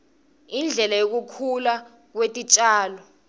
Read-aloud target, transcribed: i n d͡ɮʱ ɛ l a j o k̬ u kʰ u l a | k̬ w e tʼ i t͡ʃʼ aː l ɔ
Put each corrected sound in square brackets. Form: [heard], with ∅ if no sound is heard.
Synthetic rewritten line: i n d͡ɮʱ ɛ l a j o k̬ u kʰ u l a | k̬ w e tʼ i t͡ʃʼ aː l ɔ